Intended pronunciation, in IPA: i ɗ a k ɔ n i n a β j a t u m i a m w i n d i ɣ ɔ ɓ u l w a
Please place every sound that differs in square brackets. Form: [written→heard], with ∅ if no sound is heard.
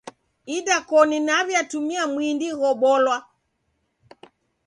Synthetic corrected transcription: i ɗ a k ɔ n i n a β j a t u m i a m w i n d i ɣ ɔ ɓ [u→ɔ] l w a